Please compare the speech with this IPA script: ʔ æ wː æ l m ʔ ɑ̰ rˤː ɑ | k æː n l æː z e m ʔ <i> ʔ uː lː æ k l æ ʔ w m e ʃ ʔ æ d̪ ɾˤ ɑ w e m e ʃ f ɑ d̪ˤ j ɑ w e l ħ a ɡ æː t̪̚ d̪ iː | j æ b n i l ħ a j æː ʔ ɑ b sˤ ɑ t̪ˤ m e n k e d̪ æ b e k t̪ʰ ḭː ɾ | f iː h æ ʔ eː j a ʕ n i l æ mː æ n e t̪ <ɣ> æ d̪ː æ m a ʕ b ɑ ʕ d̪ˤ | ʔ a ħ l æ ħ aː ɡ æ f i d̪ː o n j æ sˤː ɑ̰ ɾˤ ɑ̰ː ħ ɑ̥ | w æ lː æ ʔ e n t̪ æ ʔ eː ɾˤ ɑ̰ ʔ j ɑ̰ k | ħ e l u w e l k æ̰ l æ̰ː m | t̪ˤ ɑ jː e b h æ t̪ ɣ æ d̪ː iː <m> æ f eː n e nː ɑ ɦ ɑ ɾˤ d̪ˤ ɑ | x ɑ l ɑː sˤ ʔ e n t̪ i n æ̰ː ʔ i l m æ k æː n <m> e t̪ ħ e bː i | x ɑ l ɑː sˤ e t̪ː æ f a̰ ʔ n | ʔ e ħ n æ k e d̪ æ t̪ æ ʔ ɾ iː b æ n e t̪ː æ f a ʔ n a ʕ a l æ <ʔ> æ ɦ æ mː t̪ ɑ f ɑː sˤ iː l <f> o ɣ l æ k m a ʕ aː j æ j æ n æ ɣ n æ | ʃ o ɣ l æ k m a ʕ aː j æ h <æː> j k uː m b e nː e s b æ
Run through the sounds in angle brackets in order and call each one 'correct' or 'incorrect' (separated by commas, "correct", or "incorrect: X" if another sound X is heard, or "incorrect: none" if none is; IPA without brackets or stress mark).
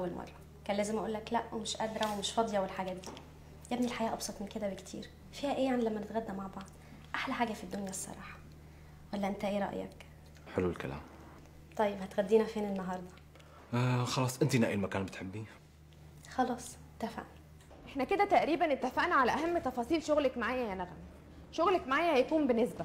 incorrect: æ, correct, incorrect: n, incorrect: b, correct, incorrect: ʃ, incorrect: æ